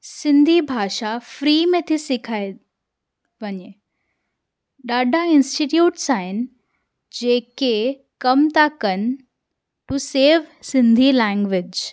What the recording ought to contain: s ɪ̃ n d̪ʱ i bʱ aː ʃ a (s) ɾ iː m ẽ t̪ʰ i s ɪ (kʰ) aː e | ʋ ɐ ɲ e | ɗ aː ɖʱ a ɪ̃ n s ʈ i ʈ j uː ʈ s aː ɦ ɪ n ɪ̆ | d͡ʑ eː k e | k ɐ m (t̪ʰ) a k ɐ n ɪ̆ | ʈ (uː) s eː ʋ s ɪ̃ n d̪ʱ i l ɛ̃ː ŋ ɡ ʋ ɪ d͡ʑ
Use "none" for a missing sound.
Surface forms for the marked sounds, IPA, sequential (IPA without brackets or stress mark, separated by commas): f, kʰ, t̪, u